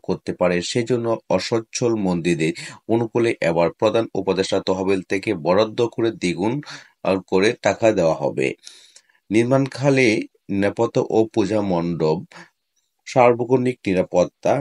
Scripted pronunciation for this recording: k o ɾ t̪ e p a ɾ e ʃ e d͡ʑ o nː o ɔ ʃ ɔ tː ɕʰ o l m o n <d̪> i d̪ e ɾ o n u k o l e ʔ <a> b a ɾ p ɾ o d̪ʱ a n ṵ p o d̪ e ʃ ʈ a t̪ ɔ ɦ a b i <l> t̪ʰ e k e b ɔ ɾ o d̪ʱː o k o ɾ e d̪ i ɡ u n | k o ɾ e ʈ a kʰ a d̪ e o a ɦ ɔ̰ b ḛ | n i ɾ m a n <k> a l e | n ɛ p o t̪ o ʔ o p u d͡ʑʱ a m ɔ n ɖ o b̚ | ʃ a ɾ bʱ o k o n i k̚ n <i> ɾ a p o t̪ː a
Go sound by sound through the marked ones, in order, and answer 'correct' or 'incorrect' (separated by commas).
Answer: correct, incorrect, correct, incorrect, correct